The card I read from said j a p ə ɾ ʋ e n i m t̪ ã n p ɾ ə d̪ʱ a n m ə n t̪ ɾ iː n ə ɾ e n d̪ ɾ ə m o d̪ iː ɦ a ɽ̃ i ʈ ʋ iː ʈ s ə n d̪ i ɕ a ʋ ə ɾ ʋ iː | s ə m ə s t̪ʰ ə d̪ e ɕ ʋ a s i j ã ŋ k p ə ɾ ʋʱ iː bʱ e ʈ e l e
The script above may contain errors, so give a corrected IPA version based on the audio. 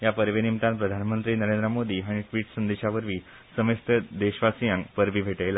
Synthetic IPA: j a p ə ɾ ʋ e n i m t̪ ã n p ɾ ə d̪ʱ a n m ə n t̪ ɾ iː n ə ɾ e n d̪ ɾ ə m o d̪ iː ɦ a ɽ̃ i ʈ ʋ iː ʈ s ə n d̪ e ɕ a ʋ ə ɾ ʋ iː | s ə m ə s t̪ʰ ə d̪ e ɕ ʋ a s i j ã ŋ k p ə ɾ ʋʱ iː bʱ e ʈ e l a